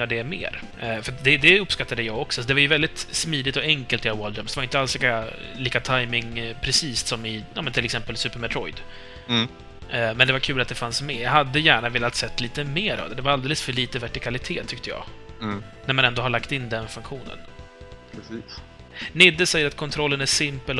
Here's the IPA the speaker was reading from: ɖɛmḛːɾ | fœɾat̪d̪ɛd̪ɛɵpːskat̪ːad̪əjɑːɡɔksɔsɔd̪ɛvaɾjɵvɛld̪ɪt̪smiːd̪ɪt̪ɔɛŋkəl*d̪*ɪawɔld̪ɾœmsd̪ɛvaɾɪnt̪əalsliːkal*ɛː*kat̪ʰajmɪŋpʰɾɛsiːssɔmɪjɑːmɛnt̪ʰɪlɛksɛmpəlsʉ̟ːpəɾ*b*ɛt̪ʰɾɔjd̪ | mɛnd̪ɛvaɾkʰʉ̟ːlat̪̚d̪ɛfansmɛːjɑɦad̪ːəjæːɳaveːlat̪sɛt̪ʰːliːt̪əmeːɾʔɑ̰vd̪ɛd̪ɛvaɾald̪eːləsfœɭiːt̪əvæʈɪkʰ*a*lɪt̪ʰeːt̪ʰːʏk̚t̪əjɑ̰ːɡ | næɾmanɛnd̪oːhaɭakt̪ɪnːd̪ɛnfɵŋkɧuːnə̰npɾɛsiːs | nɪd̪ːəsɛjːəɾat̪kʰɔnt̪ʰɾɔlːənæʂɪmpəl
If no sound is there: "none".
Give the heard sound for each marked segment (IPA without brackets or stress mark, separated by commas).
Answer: t̪, iː, m, a